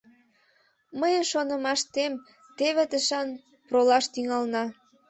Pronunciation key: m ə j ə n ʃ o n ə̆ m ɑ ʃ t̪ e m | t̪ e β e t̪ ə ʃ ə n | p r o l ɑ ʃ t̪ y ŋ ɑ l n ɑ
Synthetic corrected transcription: m ə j ə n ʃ o n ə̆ m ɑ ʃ t̪ e m | t̪ e β e t̪ ə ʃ ɑ n | p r o l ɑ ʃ t̪ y ŋ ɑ l n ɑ